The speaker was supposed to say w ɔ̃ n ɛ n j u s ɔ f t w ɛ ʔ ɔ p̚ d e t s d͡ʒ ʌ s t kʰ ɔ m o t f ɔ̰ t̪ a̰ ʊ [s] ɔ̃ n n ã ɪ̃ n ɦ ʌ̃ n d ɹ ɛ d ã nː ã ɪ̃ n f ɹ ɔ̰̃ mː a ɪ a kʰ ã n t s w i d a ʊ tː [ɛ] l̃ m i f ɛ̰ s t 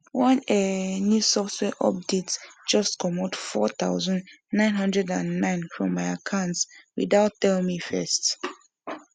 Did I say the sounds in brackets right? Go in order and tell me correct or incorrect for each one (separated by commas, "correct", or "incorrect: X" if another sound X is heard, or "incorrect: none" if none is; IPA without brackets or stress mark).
incorrect: z, correct